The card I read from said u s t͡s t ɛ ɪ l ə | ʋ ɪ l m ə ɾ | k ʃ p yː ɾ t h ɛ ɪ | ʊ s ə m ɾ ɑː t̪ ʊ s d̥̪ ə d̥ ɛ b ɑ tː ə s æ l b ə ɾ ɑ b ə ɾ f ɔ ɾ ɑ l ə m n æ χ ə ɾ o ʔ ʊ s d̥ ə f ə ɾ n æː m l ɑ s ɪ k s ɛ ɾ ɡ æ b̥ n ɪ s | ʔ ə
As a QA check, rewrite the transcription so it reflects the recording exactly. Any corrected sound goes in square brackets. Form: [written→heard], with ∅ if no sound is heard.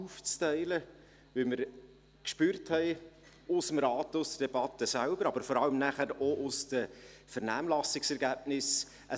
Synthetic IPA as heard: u [s→f] t͡s t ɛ ɪ l ə | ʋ ɪ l m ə ɾ | k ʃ p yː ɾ t h ɛ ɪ | ʊ s ə m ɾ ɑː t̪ ʊ s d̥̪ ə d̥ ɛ b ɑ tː ə s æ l b ə ɾ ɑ b ə ɾ f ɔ ɾ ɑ l ə m n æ χ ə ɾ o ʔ ʊ s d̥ ə f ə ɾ n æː m l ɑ s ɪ k s ɛ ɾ ɡ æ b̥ n ɪ s | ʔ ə